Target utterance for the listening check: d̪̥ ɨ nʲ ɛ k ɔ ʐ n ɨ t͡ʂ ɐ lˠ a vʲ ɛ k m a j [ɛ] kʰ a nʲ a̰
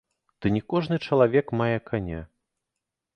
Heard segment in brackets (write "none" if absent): ɛ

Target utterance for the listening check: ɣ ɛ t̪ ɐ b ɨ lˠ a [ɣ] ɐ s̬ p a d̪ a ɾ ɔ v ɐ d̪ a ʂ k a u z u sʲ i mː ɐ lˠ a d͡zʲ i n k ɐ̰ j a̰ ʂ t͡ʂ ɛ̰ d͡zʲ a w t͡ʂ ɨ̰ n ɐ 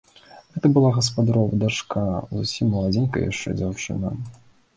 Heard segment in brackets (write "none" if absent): ɣ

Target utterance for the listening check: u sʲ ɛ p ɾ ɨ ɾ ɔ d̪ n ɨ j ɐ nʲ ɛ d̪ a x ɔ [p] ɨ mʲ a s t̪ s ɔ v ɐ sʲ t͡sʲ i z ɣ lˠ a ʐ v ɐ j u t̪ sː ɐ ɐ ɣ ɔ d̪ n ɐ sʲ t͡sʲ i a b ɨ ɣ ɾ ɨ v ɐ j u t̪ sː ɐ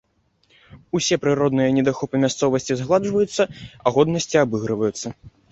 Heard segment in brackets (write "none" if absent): p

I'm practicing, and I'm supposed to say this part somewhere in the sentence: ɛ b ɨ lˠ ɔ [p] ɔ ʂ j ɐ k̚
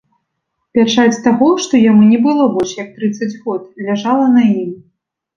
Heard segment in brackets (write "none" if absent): b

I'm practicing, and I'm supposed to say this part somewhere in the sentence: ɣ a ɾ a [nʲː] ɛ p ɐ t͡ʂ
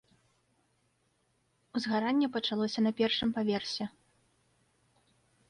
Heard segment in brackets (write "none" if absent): nʲː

